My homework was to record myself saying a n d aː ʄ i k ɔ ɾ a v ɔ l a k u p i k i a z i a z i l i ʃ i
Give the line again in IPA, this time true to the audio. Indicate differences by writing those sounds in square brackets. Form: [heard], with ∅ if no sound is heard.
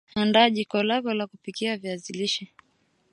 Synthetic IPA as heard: a n d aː ʄ i k ɔ [l] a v ɔ l a k u p i k i a [v] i a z i l i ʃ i

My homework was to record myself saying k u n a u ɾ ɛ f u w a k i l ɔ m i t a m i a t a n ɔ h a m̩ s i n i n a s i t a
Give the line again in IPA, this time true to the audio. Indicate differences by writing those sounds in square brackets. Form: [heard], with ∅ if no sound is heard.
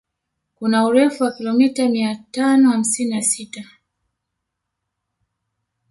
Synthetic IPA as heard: k u n a u ɾ ɛ f u w a k i l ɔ m i t a m i a t a n ɔ h a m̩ s i n i n a s i t a

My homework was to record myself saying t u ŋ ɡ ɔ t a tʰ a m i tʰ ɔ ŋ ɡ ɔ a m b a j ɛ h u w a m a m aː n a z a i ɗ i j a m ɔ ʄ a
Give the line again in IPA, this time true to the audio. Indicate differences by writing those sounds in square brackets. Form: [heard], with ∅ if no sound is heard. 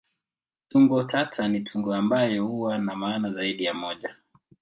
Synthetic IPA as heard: t u ŋ ɡ ɔ t a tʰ a [n] i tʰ [u] ŋ ɡ ɔ a m b a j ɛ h u w a [n] a m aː n a z a i ɗ i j a m ɔ ʄ a

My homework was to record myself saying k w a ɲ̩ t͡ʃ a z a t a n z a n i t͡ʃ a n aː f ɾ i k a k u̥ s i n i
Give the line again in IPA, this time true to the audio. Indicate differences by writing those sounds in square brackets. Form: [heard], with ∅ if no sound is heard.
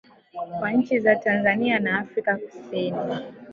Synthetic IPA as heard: k w a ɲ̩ t͡ʃ [i] z a t a n z a n i [∅] a n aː f ɾ i k a k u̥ s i n i

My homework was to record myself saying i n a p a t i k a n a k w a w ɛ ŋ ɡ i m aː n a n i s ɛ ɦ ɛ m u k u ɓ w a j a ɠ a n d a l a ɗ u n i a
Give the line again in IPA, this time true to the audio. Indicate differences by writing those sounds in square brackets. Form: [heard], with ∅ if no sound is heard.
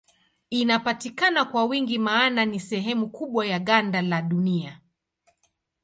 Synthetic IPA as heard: i n a p a t i k a n a k w a w [i] ŋ ɡ i m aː n a n i s ɛ ɦ ɛ m u k u ɓ w a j a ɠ a n d a l a ɗ u n i a

